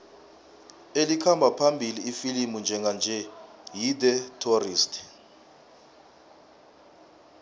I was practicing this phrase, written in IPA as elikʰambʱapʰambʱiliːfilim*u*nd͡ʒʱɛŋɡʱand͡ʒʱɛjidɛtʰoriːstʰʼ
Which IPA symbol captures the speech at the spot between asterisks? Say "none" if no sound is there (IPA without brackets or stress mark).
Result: u